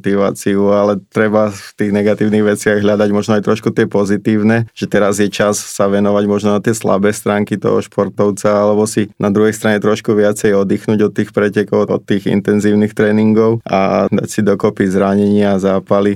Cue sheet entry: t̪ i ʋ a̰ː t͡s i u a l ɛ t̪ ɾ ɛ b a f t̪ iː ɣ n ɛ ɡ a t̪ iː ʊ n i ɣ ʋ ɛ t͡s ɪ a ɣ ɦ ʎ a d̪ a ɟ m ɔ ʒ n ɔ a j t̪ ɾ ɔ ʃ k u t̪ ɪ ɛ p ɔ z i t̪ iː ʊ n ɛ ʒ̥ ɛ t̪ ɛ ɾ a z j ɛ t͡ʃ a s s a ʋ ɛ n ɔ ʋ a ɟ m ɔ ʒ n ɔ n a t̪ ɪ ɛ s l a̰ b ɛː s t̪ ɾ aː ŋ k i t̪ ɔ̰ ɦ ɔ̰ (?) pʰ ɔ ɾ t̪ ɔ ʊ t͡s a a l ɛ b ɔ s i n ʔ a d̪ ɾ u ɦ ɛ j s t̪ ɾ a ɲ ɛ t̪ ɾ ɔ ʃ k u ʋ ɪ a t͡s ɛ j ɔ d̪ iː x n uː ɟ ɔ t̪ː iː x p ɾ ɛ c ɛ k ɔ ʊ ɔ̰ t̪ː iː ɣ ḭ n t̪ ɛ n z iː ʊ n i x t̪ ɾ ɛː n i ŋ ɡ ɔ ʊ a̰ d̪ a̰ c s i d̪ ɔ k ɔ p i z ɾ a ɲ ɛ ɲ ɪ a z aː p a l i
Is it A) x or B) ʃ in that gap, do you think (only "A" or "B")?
B